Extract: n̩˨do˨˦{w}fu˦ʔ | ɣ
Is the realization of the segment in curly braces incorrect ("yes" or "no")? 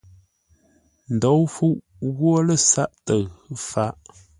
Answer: no